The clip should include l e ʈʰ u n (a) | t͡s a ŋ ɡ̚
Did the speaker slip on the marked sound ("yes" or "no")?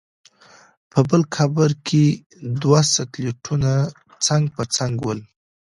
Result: no